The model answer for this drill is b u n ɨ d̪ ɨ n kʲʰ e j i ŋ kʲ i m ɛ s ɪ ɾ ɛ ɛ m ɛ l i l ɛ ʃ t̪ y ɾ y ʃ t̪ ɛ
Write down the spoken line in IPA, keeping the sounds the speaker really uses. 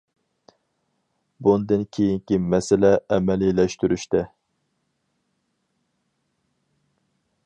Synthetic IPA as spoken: b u n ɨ d̪ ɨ n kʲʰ e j i ŋ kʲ i m ɛ s ɪ l ɛ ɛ m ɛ l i l ɛ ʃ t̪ y ɾ y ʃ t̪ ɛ